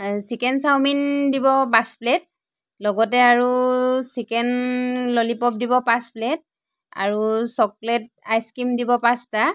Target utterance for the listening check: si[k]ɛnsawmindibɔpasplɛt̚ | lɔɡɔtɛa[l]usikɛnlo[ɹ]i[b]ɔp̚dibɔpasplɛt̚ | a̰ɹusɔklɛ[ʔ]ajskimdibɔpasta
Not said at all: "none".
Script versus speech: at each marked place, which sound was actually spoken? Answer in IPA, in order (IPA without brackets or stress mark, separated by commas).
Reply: k, ɹ, l, p, t